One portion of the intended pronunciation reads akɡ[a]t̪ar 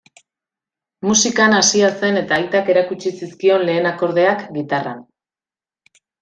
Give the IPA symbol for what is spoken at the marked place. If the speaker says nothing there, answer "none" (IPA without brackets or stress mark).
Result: i